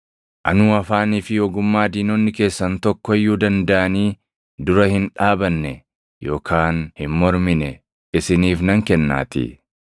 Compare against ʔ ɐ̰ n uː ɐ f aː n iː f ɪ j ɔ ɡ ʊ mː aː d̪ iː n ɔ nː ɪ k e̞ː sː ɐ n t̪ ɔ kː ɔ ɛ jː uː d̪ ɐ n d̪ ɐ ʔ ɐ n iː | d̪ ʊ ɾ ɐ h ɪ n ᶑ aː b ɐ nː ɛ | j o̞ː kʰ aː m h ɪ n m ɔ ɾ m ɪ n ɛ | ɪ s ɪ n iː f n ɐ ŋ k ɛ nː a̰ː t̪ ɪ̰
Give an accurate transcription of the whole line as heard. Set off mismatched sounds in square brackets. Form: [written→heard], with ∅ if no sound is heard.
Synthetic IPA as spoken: ʔ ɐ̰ n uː ɐ f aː n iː f ɪ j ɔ ɡ ʊ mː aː d̪ iː n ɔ nː ɪ k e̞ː sː ɐ n t̪ ɔ kː ɔ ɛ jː uː d̪ ɐ n d̪ ɐ ʔ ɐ n iː | d̪ ʊ ɾ ɐ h ɪ n ᶑ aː b ɐ nː ɛ | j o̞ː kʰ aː [m→n] h ɪ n m ɔ ɾ m ɪ n ɛ | ɪ s ɪ n iː f n ɐ ŋ k ɛ nː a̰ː t̪ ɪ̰

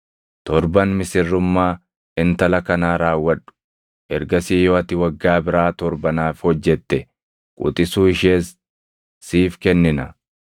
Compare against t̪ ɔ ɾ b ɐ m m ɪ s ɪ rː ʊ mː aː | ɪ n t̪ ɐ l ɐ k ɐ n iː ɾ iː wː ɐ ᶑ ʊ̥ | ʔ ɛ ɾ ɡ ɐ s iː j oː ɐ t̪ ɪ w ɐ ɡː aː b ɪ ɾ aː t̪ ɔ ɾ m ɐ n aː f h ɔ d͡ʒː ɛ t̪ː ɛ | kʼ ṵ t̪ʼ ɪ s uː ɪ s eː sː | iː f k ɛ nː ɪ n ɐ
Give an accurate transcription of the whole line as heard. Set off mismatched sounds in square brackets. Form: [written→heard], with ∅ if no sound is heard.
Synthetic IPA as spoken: t̪ ɔ ɾ b ɐ [m→n] m ɪ s ɪ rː ʊ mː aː | ɪ n t̪ ɐ l ɐ k ɐ n [iː→aː] ɾ [iː→aː] wː ɐ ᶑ ʊ̥ | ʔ ɛ ɾ ɡ ɐ s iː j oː ɐ t̪ ɪ w ɐ ɡː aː b ɪ ɾ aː t̪ ɔ ɾ [m→b] ɐ n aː f h ɔ d͡ʒː ɛ t̪ː ɛ | kʼ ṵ t̪ʼ ɪ s uː ɪ [s→ʃ] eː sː | iː f k ɛ nː ɪ n ɐ

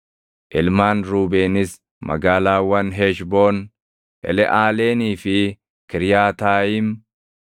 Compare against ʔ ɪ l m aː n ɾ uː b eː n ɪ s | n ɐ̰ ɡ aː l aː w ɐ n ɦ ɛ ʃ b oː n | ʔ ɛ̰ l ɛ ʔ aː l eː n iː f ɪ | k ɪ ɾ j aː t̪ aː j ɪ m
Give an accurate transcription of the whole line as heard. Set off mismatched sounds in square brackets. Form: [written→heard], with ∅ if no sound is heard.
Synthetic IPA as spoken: ʔ ɪ l m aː n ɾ uː b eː n ɪ s | [n→m] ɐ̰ ɡ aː l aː w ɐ n ɦ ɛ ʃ b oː n | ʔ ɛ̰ l ɛ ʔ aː l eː n iː f ɪ | k ɪ ɾ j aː t̪ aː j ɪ m

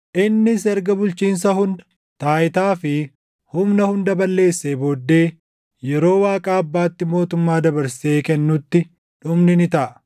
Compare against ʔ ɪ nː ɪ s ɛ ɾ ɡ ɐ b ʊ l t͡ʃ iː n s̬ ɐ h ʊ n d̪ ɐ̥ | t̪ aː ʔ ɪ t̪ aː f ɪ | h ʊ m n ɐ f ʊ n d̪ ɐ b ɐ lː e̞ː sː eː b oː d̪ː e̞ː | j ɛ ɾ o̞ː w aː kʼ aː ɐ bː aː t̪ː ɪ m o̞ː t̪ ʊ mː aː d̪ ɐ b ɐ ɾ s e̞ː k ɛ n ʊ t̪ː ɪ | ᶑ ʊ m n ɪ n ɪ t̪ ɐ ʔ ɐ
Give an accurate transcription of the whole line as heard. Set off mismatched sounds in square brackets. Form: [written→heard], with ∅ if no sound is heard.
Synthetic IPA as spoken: ʔ ɪ nː ɪ s ɛ ɾ ɡ ɐ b ʊ l t͡ʃ iː n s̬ ɐ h ʊ n d̪ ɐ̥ | t̪ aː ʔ ɪ t̪ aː f ɪ | h ʊ m n ɐ [f→h] ʊ n d̪ ɐ b ɐ lː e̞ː sː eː b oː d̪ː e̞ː | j ɛ ɾ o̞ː w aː kʼ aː ɐ bː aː t̪ː ɪ m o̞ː t̪ ʊ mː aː d̪ ɐ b ɐ ɾ s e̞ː k ɛ [n→nː] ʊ t̪ː ɪ | ᶑ ʊ m n ɪ n ɪ t̪ ɐ ʔ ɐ

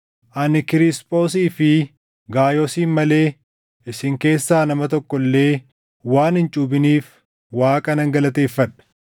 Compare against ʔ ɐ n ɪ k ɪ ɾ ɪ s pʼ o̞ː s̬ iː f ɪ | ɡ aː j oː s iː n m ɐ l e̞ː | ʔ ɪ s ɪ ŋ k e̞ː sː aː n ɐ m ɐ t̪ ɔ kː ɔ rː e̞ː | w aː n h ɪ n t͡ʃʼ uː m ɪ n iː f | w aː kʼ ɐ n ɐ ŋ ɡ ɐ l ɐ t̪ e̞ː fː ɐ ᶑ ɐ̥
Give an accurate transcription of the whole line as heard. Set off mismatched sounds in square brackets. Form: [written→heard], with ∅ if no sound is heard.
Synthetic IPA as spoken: ʔ ɐ n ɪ k ɪ ɾ ɪ s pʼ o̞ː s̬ iː f ɪ | ɡ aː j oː s iː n m ɐ l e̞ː | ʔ ɪ s ɪ ŋ k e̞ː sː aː n ɐ m ɐ t̪ ɔ kː ɔ [rː→lː] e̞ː | w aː n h ɪ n t͡ʃʼ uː [m→b] ɪ n iː f | w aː kʼ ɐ n ɐ ŋ ɡ ɐ l ɐ t̪ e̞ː fː ɐ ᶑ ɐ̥

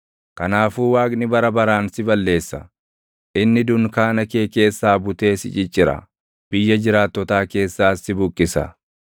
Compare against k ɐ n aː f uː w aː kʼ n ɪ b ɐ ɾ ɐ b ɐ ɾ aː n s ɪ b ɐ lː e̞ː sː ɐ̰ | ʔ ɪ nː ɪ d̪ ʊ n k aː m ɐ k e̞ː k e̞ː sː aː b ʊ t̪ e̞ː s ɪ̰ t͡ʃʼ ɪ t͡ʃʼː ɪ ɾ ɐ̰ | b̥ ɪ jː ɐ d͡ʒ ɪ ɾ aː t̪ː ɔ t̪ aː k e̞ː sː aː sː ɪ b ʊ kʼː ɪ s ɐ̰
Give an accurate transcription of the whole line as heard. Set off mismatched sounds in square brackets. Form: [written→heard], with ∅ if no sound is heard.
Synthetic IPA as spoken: k ɐ n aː f uː w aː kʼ n ɪ b ɐ ɾ ɐ b ɐ ɾ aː n s ɪ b ɐ lː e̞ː sː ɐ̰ | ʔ ɪ nː ɪ d̪ ʊ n k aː [m→n] ɐ k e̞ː k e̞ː sː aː b ʊ t̪ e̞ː s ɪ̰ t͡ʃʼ ɪ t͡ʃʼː ɪ ɾ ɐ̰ | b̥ ɪ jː ɐ d͡ʒ ɪ ɾ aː t̪ː ɔ t̪ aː k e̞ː sː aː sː ɪ b ʊ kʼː ɪ s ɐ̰

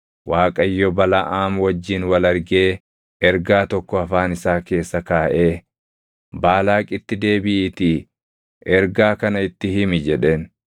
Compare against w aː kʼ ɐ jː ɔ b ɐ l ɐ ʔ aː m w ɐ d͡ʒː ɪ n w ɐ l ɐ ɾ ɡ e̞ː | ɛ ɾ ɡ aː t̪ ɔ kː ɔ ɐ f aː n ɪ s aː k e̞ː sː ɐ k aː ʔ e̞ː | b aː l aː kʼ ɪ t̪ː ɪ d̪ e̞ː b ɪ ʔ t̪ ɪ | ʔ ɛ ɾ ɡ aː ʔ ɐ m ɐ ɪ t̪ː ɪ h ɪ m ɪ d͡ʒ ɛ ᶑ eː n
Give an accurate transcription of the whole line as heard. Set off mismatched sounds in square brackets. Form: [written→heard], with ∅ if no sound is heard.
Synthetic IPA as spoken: w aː kʼ ɐ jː ɔ b ɐ l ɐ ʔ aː m w ɐ d͡ʒː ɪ n w ɐ l ɐ ɾ ɡ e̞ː | ɛ ɾ ɡ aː t̪ ɔ kː ɔ ɐ f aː n ɪ s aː k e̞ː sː ɐ k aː ʔ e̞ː | b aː l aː kʼ ɪ t̪ː ɪ d̪ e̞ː b ɪ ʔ t̪ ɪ | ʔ ɛ ɾ ɡ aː [ʔ→k] ɐ [m→n] ɐ ɪ t̪ː ɪ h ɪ m ɪ d͡ʒ ɛ ᶑ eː n

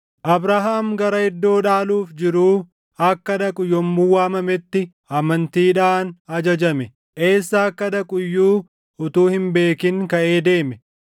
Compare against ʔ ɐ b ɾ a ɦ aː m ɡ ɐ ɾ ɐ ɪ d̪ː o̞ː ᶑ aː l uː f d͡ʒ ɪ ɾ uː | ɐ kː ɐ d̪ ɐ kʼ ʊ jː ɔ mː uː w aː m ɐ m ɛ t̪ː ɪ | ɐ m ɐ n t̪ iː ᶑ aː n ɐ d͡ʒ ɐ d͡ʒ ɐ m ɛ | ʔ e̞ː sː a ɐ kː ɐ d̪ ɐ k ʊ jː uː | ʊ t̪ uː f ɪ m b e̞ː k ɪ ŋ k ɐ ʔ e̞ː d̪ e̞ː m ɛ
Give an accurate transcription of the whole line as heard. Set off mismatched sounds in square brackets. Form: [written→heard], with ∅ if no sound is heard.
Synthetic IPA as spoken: ʔ ɐ b ɾ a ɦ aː m ɡ ɐ ɾ ɐ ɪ d̪ː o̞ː ᶑ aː l uː f d͡ʒ ɪ ɾ uː | ɐ kː ɐ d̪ ɐ kʼ ʊ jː ɔ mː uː w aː m ɐ m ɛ t̪ː ɪ | ɐ m ɐ n t̪ iː ᶑ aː n ɐ d͡ʒ ɐ d͡ʒ ɐ m ɛ | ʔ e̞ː sː a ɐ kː ɐ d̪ ɐ [k→kʼ] ʊ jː uː | ʊ t̪ uː [f→h] ɪ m b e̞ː k ɪ ŋ k ɐ ʔ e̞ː d̪ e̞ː m ɛ

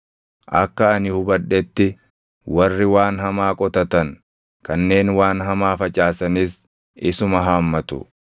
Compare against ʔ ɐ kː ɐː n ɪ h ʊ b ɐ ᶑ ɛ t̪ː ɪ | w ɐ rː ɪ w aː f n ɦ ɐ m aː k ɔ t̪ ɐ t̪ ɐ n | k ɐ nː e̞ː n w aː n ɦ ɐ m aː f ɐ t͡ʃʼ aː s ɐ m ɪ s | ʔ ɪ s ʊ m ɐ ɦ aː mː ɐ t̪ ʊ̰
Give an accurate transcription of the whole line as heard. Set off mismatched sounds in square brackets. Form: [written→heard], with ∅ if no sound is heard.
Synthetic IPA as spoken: ʔ ɐ kː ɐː n ɪ h ʊ b ɐ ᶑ ɛ t̪ː ɪ | w ɐ rː ɪ w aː [f→∅] n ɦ ɐ m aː [k→kʼ] ɔ t̪ ɐ t̪ ɐ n | k ɐ nː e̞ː n w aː n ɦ ɐ m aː f ɐ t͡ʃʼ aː s ɐ [m→n] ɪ s | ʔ ɪ s ʊ m ɐ ɦ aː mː ɐ t̪ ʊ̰

